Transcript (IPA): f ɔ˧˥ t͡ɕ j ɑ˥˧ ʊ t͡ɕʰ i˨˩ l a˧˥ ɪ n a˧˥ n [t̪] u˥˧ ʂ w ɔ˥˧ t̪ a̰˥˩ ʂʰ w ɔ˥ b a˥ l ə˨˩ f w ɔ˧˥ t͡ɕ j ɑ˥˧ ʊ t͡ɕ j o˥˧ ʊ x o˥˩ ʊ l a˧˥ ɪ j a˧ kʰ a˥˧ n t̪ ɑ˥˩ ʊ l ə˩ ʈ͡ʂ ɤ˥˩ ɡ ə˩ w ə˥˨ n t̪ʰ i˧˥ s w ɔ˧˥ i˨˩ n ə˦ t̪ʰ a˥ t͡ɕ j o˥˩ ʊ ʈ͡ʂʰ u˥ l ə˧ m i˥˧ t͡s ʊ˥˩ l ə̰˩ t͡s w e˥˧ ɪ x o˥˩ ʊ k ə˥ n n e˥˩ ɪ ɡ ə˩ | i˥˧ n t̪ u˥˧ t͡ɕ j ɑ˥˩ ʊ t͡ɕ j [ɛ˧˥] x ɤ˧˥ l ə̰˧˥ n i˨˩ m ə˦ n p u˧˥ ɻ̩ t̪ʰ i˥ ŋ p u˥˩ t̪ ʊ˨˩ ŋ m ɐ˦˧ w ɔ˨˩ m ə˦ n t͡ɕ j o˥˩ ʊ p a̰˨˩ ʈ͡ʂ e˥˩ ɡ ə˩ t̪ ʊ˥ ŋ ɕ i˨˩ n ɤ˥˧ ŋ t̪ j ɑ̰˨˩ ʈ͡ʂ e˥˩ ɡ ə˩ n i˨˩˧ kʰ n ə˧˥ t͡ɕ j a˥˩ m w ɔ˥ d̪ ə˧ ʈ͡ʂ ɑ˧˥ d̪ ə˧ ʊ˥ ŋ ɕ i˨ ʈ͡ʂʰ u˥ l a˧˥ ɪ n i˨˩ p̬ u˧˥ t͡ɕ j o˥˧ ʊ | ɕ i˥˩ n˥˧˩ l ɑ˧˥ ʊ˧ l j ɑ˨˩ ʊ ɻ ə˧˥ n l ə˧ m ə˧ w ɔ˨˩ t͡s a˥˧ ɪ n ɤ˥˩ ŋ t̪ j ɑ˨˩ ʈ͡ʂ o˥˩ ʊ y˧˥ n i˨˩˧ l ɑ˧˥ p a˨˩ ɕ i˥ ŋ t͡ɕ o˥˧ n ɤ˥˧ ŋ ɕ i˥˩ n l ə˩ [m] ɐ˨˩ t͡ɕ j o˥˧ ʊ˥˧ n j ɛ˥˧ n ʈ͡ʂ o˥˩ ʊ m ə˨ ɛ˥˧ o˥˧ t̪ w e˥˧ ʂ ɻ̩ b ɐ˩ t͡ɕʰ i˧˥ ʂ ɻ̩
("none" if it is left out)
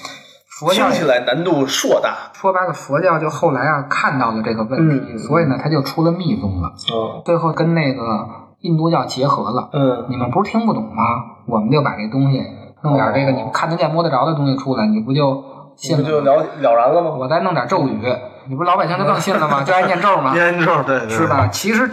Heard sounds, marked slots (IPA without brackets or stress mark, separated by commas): t̪, ɛ˧˥, m